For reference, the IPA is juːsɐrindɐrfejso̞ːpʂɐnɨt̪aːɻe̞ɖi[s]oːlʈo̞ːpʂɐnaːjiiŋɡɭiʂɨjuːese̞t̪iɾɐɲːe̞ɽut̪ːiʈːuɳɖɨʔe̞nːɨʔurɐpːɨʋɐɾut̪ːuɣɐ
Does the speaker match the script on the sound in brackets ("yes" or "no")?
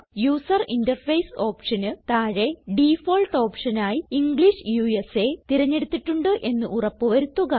no